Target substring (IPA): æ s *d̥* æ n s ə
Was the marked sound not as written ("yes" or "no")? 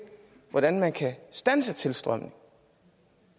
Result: no